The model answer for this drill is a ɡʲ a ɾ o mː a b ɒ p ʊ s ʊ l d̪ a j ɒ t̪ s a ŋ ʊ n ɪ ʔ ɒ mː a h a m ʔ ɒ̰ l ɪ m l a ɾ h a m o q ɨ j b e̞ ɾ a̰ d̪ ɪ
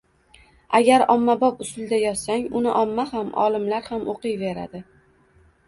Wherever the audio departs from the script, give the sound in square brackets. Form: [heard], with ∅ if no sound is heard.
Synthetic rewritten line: a ɡʲ a ɾ [ɒ] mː a b ɒ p ʊ s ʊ l d̪ a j ɒ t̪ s a ŋ ʊ n ɪ ʔ ɒ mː a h a m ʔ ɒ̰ l ɪ m l a ɾ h a m o q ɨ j [v] e̞ ɾ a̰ d̪ ɪ